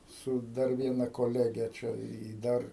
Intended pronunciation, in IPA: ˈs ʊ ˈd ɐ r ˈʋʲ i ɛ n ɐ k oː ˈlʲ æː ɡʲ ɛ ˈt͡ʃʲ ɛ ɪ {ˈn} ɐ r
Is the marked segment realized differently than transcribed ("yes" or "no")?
yes